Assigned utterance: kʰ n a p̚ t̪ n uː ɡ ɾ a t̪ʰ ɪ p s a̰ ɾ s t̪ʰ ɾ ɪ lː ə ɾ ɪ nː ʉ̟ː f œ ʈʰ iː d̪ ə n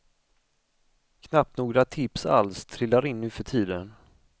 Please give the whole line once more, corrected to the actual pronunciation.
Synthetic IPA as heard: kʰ n a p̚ t̪ n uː ɡ ɾ a t̪ʰ ɪ p s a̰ l s t̪ʰ ɾ ɪ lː a ɾ ɪ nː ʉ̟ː f œ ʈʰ iː d̪ ə n

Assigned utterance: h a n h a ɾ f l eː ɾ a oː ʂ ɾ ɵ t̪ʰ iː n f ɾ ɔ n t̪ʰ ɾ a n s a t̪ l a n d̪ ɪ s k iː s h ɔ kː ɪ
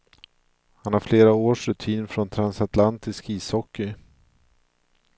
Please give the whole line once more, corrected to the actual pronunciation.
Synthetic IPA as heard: h a n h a ɾ f l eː ɾ a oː ʂ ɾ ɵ t̪ʰ iː n f ɾ ɔ n t̪ʰ ɾ a n s a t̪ l a n t̪ ɪ s k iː s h ɔ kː ɪ

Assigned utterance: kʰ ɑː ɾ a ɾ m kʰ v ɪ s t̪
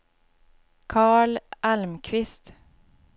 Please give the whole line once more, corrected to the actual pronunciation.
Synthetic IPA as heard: kʰ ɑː ɭ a l m kʰ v ɪ s t̪

